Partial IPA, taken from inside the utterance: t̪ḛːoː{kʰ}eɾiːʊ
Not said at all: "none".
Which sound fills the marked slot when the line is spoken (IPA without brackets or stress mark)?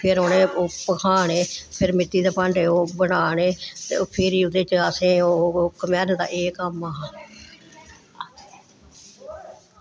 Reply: pʰ